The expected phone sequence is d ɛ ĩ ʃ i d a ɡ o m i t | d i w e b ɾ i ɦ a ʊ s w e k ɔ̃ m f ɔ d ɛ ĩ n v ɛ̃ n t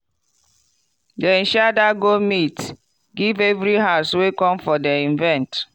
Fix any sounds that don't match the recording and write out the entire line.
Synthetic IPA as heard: d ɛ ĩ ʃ a d a ɡ o m i t | ɡ i v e v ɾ i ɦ a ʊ s w e k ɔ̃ m f ɔ d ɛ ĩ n v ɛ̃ n t